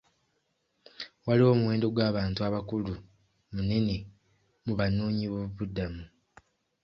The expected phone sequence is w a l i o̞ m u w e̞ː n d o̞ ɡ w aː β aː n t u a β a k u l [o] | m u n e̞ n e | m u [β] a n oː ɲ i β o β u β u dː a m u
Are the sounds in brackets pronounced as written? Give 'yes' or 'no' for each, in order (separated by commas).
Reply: no, yes